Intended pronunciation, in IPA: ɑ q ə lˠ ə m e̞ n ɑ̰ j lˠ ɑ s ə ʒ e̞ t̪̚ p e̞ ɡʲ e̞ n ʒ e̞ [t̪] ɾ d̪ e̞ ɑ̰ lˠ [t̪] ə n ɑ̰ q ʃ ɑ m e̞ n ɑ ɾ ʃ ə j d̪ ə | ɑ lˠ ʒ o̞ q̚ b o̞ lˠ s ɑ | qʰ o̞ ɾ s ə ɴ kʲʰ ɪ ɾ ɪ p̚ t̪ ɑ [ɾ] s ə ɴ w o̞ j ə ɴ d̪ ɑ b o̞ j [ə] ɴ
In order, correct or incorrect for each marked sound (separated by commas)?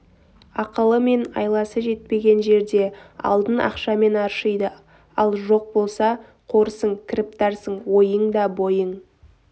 incorrect, incorrect, correct, correct